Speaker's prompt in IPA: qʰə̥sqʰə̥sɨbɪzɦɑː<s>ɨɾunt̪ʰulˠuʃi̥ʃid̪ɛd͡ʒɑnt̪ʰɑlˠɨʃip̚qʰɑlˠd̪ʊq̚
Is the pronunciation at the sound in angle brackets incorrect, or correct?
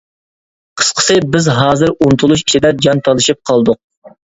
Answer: incorrect